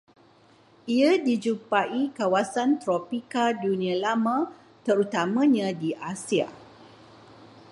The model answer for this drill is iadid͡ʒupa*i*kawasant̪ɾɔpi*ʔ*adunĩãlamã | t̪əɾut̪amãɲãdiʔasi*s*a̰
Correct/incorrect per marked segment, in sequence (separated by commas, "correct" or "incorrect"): correct, incorrect, incorrect